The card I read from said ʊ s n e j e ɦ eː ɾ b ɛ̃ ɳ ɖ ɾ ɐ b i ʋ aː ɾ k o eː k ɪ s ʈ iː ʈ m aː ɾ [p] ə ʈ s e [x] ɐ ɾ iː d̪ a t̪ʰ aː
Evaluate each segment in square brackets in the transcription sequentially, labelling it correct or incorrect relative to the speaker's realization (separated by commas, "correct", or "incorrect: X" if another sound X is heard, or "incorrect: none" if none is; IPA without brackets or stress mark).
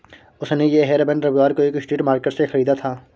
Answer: incorrect: k, correct